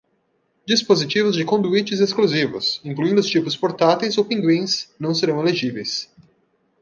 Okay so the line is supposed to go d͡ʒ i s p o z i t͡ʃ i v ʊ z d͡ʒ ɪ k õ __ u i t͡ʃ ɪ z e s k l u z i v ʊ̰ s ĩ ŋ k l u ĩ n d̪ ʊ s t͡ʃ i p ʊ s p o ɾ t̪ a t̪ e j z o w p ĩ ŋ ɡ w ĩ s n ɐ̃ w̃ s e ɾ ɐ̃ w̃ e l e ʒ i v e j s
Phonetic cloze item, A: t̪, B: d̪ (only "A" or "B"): B